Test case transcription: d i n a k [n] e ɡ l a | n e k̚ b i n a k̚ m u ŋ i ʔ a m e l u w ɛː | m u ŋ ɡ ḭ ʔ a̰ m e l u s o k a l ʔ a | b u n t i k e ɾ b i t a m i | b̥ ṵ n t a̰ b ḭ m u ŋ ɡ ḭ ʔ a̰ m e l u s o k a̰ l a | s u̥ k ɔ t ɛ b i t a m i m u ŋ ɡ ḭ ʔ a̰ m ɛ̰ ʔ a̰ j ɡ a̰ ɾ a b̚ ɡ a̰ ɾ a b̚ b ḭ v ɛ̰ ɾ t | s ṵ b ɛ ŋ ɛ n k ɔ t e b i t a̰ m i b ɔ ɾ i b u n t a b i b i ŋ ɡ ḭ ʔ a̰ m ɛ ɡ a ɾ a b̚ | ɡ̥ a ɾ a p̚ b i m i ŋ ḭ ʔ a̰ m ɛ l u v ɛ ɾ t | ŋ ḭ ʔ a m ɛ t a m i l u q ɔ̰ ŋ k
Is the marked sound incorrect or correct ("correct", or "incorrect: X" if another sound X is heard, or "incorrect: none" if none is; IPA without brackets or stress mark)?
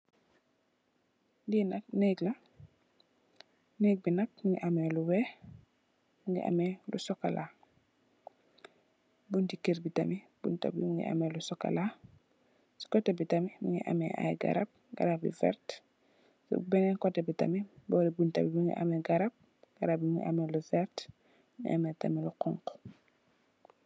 correct